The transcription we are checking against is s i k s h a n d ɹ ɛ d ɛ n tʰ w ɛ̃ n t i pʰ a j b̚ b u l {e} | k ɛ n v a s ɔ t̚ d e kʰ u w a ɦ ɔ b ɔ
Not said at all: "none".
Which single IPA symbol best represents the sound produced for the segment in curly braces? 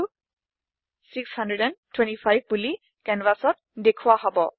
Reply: i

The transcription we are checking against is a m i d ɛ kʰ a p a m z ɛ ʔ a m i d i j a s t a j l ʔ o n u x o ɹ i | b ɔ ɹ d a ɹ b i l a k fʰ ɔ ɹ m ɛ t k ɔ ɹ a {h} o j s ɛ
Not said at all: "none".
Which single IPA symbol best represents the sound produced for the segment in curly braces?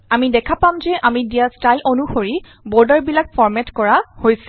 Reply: h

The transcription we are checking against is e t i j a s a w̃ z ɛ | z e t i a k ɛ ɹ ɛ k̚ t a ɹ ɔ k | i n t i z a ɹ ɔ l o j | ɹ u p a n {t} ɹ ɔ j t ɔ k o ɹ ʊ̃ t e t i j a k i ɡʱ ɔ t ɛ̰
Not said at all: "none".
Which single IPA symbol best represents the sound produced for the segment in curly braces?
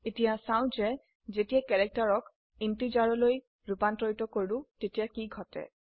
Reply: t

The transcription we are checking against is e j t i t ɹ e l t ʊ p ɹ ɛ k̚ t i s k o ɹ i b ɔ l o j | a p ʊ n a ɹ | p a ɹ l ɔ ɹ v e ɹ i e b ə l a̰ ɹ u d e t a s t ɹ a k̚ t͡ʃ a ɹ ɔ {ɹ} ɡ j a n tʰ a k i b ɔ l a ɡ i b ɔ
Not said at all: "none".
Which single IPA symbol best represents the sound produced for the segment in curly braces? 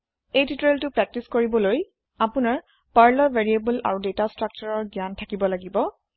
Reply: ɹ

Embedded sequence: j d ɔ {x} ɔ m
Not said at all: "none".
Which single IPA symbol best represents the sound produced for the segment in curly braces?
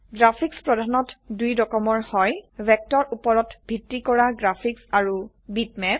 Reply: k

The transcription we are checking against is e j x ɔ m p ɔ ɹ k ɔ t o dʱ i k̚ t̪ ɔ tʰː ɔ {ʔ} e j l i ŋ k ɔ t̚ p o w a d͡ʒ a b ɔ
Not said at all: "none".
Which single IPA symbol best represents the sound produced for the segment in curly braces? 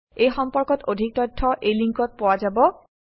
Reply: ʔ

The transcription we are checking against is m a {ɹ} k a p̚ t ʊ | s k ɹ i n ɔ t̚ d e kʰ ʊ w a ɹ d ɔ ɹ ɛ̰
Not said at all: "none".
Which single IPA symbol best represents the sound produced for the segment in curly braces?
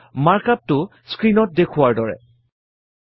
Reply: ɹ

